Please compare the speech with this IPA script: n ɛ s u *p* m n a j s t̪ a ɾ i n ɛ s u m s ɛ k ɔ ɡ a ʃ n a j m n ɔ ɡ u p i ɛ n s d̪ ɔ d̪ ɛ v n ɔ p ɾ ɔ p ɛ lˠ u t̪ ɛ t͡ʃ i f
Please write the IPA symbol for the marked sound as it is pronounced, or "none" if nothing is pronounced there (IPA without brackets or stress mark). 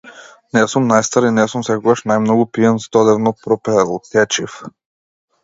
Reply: none